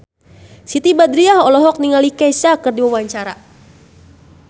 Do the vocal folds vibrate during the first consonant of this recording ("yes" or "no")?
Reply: no